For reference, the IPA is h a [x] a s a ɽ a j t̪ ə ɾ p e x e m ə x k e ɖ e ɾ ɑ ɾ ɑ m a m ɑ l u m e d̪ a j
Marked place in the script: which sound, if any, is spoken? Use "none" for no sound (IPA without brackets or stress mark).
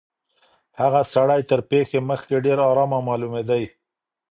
ɣ